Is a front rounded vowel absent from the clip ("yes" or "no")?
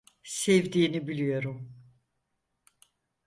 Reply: yes